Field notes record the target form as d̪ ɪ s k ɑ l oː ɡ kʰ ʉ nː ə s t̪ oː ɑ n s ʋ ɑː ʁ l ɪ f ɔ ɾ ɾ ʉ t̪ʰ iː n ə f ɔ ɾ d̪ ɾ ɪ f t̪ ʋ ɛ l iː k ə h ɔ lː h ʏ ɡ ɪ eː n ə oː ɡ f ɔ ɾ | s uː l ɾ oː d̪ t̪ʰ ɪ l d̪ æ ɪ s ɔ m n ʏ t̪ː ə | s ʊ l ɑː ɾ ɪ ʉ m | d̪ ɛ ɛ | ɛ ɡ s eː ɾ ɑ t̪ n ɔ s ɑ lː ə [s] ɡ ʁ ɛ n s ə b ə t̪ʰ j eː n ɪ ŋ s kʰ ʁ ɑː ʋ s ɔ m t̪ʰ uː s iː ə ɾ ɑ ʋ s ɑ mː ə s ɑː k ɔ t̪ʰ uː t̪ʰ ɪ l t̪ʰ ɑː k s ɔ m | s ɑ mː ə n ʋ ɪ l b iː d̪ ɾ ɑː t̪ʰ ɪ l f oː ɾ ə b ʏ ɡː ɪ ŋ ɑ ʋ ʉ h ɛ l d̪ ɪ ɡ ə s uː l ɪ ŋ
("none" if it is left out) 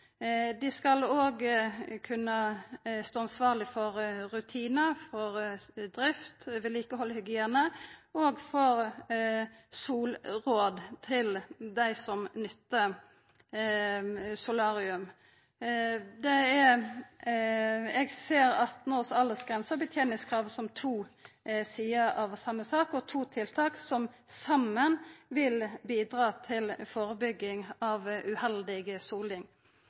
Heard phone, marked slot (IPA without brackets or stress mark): s